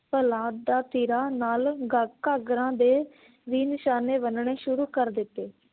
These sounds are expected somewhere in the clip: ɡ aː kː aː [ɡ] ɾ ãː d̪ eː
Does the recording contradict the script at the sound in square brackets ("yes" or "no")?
no